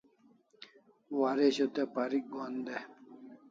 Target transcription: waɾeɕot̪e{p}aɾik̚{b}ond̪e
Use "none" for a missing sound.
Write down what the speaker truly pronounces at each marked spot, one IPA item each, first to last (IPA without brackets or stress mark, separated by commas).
p, ɡ